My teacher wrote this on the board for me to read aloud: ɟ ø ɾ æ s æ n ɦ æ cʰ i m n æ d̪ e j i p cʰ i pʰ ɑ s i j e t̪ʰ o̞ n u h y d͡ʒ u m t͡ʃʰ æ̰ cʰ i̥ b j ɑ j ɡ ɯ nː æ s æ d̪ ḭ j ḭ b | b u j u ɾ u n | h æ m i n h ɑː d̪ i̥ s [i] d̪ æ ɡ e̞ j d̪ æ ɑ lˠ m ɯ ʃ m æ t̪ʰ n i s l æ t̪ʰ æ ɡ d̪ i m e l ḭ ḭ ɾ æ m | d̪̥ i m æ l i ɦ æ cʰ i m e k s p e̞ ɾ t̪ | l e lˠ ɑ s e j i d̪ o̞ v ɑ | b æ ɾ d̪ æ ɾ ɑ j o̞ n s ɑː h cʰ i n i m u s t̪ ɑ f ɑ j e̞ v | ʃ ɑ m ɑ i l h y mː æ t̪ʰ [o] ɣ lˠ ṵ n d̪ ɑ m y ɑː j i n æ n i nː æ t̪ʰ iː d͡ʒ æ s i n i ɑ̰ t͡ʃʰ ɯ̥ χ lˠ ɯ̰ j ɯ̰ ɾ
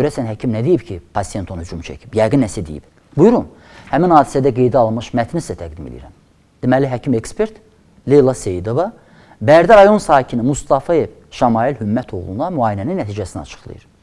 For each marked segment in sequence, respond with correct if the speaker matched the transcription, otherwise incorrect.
incorrect: æ, correct

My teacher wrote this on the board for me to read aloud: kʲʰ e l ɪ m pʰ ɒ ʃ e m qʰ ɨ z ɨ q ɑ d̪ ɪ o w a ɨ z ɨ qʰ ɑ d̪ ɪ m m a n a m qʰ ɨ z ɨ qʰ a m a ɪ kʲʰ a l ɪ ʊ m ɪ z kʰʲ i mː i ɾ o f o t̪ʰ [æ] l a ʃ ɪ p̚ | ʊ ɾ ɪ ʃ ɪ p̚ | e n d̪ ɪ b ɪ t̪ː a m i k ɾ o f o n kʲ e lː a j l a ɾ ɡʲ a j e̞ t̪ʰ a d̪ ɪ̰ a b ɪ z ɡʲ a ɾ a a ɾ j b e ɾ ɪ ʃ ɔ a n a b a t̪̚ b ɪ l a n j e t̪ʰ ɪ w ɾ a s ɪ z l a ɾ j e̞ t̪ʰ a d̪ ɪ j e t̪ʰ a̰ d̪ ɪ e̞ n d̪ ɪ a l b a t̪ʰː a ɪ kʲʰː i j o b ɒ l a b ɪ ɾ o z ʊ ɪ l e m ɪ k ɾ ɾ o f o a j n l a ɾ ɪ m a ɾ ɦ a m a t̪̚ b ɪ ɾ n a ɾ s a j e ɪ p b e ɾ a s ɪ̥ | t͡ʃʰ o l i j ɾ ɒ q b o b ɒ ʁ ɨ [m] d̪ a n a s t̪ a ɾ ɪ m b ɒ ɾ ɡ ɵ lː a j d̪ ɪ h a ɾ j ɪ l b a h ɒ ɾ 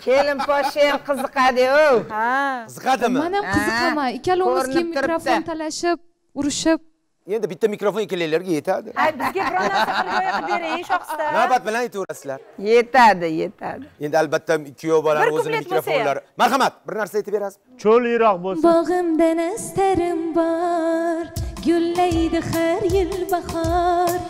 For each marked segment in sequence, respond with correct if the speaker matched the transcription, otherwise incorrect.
incorrect: a, correct

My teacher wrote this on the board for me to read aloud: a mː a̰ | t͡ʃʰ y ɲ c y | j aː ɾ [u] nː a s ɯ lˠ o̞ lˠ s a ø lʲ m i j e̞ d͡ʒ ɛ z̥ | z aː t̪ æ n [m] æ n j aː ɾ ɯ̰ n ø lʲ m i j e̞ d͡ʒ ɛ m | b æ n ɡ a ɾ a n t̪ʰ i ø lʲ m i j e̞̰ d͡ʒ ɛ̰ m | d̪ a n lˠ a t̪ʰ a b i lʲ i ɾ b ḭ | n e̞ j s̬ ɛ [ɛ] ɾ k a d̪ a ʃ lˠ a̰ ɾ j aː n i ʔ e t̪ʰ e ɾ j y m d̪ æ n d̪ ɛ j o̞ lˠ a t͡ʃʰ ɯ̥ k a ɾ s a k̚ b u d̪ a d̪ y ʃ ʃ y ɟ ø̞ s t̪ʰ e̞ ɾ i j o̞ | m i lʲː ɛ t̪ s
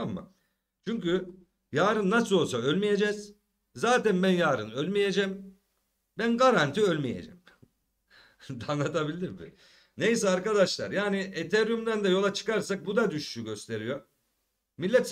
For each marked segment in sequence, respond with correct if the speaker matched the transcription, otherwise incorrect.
incorrect: ɯ, incorrect: b, incorrect: a

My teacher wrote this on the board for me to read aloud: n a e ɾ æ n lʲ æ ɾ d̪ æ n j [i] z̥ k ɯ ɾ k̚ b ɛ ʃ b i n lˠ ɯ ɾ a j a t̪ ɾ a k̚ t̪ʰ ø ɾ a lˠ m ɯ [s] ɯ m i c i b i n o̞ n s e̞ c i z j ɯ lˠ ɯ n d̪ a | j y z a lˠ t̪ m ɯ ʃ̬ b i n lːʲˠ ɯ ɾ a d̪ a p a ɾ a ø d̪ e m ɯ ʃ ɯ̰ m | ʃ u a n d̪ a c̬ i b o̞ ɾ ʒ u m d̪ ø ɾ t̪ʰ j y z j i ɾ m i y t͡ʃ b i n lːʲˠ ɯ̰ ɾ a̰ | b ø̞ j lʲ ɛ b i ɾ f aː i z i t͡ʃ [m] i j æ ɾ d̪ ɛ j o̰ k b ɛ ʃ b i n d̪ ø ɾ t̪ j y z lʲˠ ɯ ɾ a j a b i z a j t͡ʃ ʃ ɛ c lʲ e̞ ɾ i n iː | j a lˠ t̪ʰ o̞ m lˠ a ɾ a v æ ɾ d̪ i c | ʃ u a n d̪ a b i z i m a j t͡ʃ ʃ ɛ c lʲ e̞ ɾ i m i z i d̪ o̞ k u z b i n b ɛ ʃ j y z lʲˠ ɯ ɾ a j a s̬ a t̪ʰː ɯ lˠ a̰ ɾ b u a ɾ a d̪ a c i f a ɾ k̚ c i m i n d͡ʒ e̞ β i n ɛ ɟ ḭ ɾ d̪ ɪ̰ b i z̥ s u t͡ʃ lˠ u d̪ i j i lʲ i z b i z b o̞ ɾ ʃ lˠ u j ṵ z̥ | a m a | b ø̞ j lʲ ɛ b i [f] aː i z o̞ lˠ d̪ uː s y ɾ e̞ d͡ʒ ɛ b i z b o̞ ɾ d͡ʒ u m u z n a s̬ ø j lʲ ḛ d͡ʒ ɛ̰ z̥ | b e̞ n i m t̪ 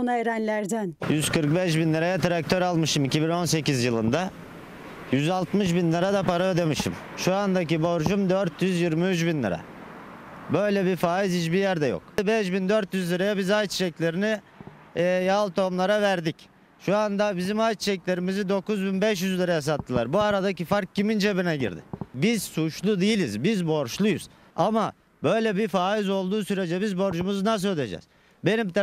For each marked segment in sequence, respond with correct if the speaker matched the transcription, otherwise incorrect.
incorrect: y, incorrect: ʃ, incorrect: b, correct

